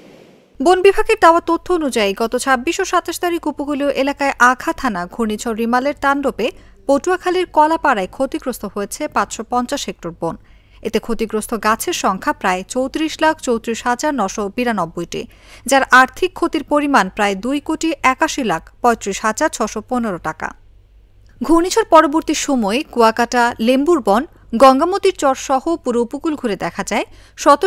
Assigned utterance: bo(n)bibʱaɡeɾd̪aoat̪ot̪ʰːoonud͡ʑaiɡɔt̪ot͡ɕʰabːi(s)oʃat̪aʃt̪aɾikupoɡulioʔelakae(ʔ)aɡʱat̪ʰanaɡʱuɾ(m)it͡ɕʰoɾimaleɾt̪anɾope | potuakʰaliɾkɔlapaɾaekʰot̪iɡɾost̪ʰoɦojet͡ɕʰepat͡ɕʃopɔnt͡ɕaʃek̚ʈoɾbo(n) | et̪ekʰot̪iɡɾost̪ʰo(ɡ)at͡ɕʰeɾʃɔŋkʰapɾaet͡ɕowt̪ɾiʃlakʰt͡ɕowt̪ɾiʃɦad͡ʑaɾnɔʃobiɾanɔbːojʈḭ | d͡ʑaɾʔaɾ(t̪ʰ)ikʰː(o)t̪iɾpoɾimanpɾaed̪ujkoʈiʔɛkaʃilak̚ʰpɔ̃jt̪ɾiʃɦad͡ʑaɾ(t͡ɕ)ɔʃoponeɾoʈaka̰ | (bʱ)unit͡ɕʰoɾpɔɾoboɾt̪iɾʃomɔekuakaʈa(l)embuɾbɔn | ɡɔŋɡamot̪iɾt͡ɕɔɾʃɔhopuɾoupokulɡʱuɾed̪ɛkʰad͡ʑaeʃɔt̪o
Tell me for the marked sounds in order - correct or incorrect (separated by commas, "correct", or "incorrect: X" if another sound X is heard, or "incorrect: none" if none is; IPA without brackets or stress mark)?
correct, incorrect: ʃ, correct, incorrect: n, correct, correct, correct, correct, incorrect: t͡ɕʰ, incorrect: ɡʱ, correct